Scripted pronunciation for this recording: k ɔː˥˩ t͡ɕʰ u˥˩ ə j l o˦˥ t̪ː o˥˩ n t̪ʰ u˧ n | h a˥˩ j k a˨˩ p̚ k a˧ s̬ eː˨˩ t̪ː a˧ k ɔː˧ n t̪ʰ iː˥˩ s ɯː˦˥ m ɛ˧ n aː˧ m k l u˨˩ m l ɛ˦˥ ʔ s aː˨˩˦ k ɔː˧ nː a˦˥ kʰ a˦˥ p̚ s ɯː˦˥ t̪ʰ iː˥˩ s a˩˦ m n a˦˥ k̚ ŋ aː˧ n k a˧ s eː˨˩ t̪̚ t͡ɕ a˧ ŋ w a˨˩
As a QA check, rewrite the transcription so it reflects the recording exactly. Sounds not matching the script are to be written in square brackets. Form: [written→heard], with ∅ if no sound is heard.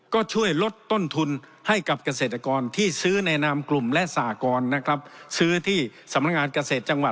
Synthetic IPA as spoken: k ɔː˥˩ t͡ɕʰ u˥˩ ə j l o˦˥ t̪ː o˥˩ n t̪ʰ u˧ n | h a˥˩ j k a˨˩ p̚ k a˧ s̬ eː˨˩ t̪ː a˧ k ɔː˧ n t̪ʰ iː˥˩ s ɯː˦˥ [m→n] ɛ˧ n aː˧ m k l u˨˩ m l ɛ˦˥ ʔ s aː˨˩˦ k ɔː˧ nː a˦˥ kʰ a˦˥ p̚ s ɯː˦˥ t̪ʰ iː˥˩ s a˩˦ m n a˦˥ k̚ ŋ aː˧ n k a˧ s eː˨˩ t̪̚ t͡ɕ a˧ ŋ w a˨˩